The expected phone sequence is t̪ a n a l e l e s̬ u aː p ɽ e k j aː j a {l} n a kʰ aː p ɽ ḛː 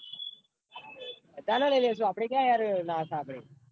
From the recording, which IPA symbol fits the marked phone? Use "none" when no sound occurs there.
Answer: ɾ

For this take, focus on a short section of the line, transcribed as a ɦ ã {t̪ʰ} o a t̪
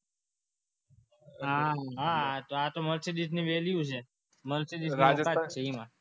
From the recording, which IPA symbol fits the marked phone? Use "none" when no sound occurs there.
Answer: t̪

